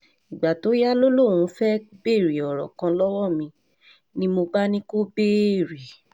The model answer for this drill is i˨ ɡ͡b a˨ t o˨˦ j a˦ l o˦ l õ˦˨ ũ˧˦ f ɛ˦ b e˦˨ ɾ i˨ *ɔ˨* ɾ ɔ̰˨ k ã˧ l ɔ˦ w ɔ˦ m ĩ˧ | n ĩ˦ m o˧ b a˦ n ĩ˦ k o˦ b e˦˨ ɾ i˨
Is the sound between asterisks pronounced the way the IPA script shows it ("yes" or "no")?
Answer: yes